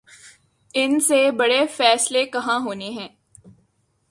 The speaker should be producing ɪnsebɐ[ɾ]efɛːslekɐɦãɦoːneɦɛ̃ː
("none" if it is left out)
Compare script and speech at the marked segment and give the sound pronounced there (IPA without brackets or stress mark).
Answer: ɽ